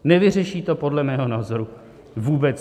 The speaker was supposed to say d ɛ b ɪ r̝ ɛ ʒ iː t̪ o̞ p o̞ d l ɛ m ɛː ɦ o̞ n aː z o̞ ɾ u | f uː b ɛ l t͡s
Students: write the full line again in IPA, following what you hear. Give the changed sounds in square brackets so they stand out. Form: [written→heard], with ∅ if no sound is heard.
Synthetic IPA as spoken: [d→n] ɛ [b→v] ɪ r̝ ɛ [ʒ→ʃ] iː t̪ o̞ p o̞ d l ɛ m ɛː ɦ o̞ n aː z o̞ ɾ u | [f→v] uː b ɛ [l→∅] t͡s